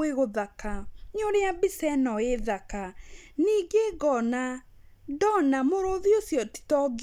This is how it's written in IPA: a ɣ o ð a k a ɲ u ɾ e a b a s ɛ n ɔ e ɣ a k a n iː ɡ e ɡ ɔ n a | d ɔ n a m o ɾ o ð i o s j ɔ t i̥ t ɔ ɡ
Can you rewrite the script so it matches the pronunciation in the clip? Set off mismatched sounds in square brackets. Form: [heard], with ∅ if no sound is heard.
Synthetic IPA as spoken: [e] ɣ o ð a k a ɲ [o] ɾ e a b [i] s ɛ n ɔ e [ð] a k a n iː ɡ e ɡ ɔ n a | d ɔ n a m o ɾ o ð i o s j ɔ t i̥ t ɔ ɡ